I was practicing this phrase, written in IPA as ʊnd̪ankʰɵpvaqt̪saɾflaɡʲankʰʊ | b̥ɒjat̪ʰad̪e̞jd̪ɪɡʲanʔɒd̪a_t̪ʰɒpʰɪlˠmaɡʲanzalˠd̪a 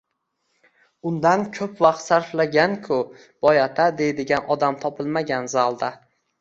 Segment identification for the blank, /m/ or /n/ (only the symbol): m